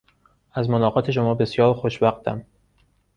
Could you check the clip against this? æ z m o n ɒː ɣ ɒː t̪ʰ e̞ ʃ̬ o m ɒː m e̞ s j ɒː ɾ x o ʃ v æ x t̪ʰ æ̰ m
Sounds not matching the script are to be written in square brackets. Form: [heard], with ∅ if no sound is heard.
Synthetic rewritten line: æ z m o n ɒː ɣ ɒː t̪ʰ e̞ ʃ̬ o m ɒː [b] e̞ s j ɒː ɾ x o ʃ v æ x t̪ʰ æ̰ m

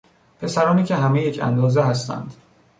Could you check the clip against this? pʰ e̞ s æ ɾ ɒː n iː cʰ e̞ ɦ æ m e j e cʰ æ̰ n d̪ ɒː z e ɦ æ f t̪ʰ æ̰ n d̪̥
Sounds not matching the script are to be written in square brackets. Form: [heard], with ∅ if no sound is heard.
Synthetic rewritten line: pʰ e̞ s æ ɾ ɒː n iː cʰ e̞ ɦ æ m e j e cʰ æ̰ n d̪ ɒː z e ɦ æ [s] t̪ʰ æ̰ n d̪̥

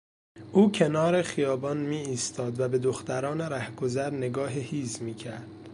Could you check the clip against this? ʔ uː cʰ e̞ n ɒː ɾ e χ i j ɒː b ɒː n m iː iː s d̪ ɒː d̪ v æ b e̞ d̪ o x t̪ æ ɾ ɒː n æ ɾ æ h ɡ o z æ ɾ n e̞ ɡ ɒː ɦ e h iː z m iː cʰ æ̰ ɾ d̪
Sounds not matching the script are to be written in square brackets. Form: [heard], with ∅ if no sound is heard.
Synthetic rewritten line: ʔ uː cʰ e̞ n ɒː ɾ e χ i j ɒː b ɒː n m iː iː s [t̪] ɒː d̪ v æ b e̞ d̪ o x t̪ æ ɾ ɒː n [e] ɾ æ h ɡ o z æ ɾ n e̞ ɡ ɒː ɦ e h iː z m iː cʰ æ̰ ɾ d̪

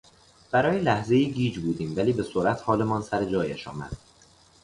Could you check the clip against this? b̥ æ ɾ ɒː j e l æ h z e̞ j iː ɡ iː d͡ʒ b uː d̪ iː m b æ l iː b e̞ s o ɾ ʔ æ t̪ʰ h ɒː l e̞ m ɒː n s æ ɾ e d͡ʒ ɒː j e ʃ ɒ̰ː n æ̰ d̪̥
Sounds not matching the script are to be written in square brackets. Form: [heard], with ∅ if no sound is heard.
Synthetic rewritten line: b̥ æ ɾ ɒː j e l æ h z e̞ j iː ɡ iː d͡ʒ b uː d̪ iː m [v] æ l iː b e̞ s o ɾ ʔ æ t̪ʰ h ɒː l e̞ m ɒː n s æ ɾ e d͡ʒ ɒː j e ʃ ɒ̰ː [m] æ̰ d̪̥

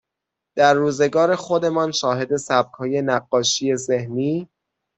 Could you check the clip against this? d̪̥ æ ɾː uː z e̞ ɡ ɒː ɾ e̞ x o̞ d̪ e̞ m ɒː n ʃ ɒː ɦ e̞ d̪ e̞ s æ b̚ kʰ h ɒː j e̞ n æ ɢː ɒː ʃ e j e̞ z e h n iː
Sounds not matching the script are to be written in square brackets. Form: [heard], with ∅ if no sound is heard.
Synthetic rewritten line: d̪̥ æ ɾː uː z e̞ ɡ ɒː ɾ e̞ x o̞ d̪ e̞ m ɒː n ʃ ɒː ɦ e̞ d̪ e̞ s æ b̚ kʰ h ɒː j e̞ n æ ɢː ɒː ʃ [i] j e̞ z e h n iː

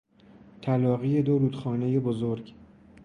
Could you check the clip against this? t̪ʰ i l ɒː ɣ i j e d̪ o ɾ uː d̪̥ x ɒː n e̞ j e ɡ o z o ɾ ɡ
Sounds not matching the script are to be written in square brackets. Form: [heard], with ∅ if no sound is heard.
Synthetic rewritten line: t̪ʰ [æ] l ɒː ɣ i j e d̪ o ɾ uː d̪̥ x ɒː n e̞ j e [b] o z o ɾ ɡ

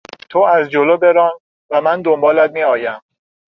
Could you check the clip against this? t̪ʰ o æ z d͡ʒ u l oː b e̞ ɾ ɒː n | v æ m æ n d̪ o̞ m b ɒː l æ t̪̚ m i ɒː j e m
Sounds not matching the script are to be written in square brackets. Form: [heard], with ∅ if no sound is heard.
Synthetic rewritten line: t̪ʰ o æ z d͡ʒ [o] l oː b e̞ ɾ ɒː n | v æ m æ n d̪ o̞ m b ɒː l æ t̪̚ m i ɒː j [æ] m

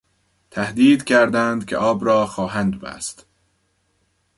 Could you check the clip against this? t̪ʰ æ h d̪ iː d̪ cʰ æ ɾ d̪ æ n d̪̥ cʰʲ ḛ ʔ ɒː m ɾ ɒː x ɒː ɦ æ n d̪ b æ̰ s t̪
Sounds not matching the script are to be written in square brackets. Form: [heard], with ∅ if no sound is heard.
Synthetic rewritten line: t̪ʰ æ h d̪ iː d̪ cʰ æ ɾ d̪ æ n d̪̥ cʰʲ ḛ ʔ ɒː [b] ɾ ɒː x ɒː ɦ æ n d̪ b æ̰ s t̪

